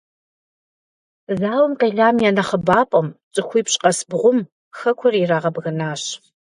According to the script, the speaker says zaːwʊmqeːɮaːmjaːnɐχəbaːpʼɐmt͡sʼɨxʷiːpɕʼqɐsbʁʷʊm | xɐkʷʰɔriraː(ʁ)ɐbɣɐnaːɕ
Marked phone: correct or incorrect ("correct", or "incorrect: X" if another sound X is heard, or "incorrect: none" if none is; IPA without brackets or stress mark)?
correct